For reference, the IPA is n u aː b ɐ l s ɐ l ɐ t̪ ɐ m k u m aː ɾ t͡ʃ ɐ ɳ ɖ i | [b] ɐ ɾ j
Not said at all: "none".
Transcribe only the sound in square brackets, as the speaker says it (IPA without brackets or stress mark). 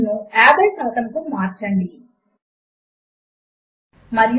m